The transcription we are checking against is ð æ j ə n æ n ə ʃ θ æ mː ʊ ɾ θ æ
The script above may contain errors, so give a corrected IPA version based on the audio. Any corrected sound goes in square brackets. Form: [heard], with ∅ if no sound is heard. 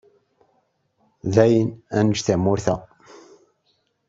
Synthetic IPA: ð æ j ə n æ n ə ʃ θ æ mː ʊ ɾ θ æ